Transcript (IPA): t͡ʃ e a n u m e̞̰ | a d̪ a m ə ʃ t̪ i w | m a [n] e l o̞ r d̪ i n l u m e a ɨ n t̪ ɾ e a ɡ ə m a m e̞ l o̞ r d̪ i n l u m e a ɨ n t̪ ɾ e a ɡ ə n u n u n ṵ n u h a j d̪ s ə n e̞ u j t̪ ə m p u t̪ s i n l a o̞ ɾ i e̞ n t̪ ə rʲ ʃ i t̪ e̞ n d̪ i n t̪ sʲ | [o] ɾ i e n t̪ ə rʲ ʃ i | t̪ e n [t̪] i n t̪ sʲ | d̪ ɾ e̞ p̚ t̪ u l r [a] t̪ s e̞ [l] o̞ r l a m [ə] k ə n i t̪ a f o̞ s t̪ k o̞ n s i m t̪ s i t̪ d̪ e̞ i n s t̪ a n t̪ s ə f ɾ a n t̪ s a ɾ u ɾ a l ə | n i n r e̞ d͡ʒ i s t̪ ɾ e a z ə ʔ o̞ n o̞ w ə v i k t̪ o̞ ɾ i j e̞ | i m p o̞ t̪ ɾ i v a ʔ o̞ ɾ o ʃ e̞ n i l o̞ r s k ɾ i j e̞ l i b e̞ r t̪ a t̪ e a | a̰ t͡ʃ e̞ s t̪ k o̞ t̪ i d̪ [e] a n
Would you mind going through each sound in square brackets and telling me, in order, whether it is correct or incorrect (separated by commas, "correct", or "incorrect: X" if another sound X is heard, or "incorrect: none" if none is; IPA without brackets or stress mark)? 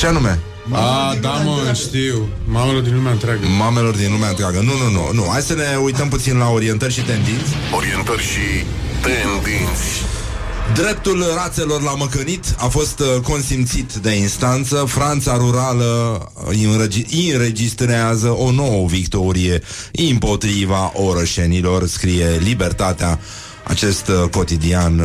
incorrect: m, correct, incorrect: d̪, correct, correct, correct, incorrect: i